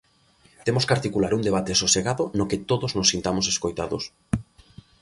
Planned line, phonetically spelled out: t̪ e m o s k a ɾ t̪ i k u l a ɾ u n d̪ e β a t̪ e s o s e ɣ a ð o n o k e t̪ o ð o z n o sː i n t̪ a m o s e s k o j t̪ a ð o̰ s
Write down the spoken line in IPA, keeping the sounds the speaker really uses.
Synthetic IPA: t̪ e m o s k a ɾ t̪ i k u l a ɾ u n d̪ e β a t̪ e s o s e ɣ a ð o n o k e t̪ o ð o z n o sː i n t̪ a m o s e s k o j t̪ a ð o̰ s